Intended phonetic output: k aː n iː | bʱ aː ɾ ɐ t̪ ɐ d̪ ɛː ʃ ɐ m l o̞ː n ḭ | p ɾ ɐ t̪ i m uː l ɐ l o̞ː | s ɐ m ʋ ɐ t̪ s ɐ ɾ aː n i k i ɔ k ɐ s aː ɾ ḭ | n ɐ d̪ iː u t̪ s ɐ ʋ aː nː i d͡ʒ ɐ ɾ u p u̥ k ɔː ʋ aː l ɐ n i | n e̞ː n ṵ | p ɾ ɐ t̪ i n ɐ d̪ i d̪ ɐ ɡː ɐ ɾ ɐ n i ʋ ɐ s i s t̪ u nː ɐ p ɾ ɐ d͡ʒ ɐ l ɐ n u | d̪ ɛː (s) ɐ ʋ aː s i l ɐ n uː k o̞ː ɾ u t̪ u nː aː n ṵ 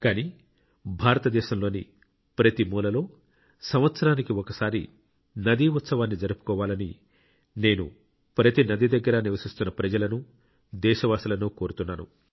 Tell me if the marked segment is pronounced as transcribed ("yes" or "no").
no